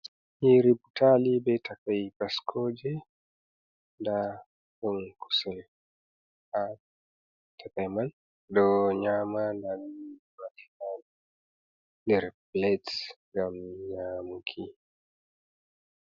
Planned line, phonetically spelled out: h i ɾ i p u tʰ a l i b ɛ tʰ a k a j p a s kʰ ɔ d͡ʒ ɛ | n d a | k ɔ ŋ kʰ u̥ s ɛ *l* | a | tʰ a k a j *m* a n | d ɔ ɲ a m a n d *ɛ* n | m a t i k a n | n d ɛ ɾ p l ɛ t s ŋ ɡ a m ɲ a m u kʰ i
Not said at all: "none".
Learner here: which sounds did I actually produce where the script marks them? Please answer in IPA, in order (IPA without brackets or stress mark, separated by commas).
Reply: l, m, a